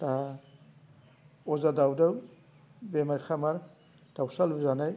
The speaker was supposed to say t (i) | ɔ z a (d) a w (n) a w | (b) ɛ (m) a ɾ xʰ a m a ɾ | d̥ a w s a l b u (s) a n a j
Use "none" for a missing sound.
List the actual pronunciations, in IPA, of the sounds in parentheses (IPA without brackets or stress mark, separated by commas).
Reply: a, d, d, b, m, z